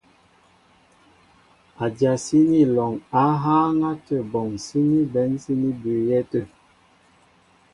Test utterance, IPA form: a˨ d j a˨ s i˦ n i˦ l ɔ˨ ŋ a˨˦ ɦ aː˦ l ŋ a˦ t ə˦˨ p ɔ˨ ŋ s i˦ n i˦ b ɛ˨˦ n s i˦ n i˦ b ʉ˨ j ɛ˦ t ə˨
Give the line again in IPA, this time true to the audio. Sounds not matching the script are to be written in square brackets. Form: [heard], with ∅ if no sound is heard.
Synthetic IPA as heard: a˨ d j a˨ s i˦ n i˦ l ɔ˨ ŋ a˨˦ ɦ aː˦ [∅] ŋ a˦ t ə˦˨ [b] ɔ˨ ŋ s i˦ n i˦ b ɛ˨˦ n s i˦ n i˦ b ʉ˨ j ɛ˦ t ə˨